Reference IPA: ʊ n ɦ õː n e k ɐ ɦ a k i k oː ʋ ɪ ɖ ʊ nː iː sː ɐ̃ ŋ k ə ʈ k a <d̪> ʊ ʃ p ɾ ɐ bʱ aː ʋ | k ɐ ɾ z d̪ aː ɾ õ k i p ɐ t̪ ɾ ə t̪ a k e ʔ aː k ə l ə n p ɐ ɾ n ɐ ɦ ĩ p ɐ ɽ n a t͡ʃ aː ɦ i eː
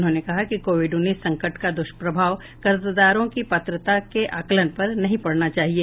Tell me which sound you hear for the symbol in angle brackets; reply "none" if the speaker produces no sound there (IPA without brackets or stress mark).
d̪